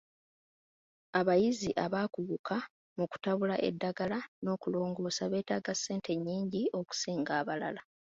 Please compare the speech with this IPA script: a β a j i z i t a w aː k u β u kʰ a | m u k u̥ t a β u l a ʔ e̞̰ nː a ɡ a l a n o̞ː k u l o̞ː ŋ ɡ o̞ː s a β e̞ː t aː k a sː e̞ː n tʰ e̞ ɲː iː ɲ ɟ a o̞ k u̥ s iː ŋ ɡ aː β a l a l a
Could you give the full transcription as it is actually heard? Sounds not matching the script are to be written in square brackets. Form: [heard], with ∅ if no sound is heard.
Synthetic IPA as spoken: a β a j i z i [ʔ] a [β] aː k u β u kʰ a | m u k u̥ t a β u l a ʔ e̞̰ [dː] a ɡ a l a n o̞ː k u l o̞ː ŋ ɡ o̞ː s a β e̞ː t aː [ɡ] a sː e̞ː n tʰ e̞ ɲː iː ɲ ɟ [i] o̞ k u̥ s iː ŋ ɡ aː β a l a l a